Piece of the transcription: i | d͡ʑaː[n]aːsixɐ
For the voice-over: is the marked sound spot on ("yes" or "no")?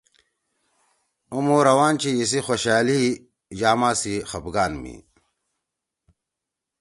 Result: no